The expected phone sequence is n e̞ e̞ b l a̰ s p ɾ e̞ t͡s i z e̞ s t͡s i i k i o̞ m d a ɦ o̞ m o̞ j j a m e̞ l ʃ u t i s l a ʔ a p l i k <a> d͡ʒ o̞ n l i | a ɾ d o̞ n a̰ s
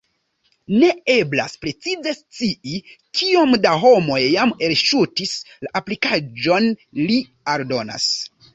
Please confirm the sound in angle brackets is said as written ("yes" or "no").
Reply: yes